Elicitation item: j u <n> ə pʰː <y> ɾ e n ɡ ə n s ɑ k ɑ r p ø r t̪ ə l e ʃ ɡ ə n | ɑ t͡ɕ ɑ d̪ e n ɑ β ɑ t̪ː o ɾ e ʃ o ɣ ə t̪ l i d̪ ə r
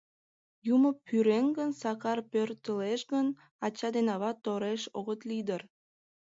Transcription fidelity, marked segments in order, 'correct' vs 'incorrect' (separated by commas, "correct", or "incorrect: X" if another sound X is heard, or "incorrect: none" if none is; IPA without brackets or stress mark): incorrect: m, correct